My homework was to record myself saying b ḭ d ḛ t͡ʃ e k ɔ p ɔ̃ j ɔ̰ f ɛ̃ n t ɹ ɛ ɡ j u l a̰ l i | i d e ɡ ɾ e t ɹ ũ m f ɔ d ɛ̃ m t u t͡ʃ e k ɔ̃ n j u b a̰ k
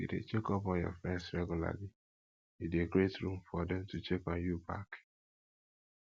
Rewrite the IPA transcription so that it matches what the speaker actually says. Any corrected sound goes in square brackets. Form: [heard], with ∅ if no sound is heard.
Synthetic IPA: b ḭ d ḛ t͡ʃ e k ɔ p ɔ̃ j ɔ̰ f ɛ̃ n [s] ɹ ɛ ɡ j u l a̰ l i | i d e ɡ ɾ e t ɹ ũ m f ɔ d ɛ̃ m t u t͡ʃ e k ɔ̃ n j u b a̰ k